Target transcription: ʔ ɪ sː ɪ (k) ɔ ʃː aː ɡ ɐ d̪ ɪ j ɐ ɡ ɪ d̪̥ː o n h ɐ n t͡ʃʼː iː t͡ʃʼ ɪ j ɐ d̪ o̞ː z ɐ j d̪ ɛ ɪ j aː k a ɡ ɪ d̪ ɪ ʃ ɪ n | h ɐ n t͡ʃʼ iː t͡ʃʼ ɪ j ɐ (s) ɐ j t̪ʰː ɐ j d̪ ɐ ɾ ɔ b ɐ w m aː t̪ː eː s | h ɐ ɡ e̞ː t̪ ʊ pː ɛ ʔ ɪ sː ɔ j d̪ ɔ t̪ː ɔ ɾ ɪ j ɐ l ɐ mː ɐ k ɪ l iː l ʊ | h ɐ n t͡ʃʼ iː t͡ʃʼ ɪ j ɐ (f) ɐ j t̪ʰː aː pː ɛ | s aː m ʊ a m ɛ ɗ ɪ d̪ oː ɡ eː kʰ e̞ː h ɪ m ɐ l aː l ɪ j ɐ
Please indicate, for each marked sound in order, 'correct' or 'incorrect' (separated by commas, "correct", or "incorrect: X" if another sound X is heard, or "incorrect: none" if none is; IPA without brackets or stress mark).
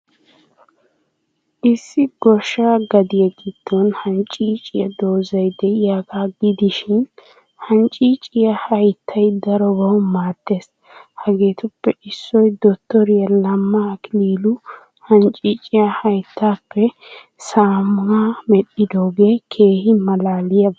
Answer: incorrect: ɡ, incorrect: h, incorrect: h